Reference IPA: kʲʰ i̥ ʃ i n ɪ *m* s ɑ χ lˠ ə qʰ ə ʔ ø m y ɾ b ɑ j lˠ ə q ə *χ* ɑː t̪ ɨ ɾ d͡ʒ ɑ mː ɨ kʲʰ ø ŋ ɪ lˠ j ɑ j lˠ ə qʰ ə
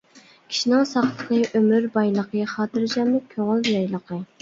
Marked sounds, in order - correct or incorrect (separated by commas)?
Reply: incorrect, correct